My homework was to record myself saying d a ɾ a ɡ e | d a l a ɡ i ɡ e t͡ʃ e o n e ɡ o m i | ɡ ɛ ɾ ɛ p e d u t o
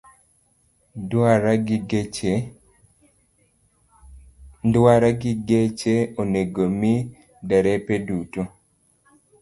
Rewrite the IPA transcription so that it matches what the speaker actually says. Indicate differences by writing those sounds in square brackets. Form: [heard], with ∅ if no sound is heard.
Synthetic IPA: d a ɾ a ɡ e | d a [ɾ] a ɡ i ɡ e t͡ʃ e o n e ɡ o m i | [d] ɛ ɾ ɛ p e d u t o